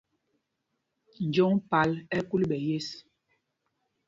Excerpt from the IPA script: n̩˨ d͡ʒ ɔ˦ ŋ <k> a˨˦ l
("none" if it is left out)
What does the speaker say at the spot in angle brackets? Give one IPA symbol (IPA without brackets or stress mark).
p